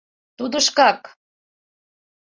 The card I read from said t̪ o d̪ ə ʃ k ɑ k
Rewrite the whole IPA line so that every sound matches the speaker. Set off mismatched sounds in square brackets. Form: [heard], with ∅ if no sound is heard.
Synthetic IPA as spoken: t̪ [u] d̪ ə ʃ k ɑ k